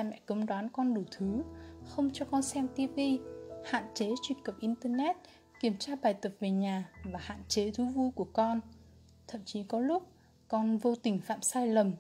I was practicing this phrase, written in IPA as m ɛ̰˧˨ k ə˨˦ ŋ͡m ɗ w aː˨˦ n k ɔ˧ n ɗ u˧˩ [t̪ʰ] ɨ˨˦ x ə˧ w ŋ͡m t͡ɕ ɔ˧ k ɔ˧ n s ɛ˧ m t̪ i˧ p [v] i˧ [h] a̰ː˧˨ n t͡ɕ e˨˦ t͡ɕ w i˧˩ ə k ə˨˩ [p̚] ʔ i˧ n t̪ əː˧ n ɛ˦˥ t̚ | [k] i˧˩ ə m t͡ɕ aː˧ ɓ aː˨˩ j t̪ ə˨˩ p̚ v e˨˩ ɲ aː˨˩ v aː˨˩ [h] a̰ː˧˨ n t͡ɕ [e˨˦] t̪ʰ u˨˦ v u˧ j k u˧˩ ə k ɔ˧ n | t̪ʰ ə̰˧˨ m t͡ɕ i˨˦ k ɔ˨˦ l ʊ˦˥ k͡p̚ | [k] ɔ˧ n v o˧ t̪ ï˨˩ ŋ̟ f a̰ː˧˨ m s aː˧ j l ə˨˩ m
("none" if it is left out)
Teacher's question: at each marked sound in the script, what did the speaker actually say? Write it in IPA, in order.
t̪ʰ, v, h, p̚, k, h, e˨˦, k

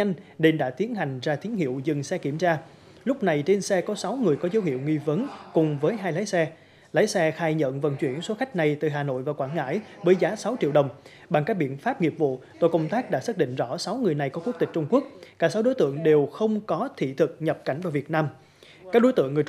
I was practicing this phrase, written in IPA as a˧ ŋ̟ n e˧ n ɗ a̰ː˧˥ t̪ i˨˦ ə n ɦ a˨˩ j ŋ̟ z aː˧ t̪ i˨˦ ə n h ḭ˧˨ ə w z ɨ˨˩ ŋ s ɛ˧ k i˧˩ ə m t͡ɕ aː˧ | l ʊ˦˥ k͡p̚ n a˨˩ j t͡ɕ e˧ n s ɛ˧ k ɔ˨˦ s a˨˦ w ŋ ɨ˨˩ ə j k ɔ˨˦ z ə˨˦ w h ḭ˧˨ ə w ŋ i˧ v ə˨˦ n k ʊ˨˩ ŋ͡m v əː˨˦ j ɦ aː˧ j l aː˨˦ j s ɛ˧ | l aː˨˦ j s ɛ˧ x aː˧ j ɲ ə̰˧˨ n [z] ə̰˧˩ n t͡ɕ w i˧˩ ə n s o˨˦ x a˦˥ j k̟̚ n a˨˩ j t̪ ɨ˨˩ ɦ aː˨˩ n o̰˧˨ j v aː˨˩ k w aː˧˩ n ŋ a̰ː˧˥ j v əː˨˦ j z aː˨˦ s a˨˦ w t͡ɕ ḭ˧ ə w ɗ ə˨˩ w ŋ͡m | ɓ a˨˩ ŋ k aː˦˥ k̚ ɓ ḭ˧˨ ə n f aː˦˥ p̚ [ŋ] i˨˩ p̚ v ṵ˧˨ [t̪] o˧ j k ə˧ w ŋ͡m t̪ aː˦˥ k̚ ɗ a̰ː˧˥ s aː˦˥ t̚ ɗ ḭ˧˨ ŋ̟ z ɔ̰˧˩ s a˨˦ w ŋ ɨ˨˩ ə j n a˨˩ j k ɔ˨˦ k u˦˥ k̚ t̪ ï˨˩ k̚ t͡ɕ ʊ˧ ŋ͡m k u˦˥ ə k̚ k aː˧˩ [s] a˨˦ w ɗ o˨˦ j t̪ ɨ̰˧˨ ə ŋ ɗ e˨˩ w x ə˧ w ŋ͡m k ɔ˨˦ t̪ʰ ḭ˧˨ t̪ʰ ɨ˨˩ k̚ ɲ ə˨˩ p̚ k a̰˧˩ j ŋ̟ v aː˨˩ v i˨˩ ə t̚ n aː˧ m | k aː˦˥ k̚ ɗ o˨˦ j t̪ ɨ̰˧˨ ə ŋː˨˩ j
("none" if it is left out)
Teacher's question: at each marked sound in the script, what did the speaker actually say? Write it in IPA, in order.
v, ŋ, t̪, s

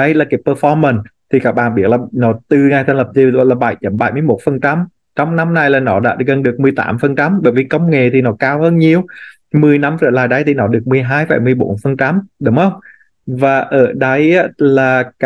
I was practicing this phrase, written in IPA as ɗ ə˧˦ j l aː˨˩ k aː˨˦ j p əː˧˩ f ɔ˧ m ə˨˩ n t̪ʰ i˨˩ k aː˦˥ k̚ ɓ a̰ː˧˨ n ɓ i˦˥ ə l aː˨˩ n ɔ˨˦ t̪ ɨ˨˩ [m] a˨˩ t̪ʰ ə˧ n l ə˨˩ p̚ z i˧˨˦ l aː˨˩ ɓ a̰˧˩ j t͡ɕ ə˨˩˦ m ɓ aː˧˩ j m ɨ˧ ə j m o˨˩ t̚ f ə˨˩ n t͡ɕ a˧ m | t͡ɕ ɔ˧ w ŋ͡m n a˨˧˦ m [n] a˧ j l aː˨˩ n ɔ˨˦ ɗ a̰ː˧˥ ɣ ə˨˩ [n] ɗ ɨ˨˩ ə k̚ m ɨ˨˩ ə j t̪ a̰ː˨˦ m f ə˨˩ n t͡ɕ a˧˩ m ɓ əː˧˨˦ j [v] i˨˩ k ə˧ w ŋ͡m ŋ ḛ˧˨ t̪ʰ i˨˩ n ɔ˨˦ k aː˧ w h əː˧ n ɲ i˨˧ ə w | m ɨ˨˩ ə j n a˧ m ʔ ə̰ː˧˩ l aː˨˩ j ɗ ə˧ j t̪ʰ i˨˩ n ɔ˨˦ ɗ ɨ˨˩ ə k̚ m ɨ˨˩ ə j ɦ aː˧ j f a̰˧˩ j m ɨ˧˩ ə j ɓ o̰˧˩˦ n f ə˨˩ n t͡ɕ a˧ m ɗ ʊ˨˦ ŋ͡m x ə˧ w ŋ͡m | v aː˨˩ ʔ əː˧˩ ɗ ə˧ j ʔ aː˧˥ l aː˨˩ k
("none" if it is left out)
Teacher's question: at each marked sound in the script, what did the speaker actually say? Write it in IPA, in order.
ŋ, n, n, v

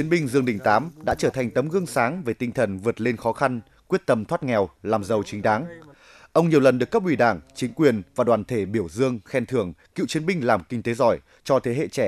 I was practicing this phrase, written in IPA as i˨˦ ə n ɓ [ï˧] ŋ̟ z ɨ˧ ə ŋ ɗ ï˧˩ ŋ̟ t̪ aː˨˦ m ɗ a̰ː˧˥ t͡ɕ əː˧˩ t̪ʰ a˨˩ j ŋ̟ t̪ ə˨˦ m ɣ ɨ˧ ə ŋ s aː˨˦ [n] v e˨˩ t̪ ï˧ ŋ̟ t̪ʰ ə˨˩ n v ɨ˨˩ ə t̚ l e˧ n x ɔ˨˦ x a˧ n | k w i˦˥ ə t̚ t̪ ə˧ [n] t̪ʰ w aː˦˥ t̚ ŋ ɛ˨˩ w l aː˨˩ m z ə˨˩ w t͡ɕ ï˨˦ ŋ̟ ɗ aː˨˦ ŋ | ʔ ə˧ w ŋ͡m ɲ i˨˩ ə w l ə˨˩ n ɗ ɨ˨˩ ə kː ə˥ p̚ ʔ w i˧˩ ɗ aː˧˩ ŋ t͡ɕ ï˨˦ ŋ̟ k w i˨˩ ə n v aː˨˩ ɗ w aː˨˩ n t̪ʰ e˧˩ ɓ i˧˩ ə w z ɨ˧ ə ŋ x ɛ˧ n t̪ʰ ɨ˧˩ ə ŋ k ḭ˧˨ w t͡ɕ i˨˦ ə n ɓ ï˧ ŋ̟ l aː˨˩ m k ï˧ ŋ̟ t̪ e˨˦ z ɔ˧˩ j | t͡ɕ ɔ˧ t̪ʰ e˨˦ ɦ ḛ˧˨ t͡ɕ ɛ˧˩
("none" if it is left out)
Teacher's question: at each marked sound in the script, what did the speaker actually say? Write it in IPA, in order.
ï˧, ŋ, m

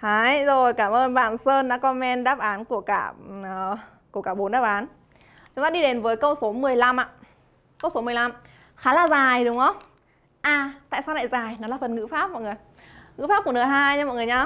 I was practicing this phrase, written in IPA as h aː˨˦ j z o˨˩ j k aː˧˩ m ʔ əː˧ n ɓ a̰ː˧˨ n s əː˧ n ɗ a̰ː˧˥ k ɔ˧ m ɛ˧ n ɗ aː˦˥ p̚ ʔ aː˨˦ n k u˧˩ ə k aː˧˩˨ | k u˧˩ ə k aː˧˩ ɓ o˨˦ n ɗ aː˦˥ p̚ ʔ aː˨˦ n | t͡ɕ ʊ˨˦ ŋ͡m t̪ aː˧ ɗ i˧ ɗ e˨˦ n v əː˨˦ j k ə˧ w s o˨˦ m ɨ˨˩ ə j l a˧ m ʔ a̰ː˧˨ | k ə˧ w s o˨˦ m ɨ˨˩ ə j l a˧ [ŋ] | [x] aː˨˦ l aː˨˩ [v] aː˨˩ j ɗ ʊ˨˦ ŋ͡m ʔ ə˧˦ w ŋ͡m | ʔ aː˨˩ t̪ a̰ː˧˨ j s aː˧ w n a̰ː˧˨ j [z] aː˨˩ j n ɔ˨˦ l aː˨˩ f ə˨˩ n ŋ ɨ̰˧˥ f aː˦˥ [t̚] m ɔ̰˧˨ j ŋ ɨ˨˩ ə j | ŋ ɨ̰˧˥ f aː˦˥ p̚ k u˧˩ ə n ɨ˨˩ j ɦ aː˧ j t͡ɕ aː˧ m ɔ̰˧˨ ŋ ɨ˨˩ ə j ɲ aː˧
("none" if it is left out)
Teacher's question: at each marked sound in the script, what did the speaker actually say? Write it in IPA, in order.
m, x, z, z, p̚

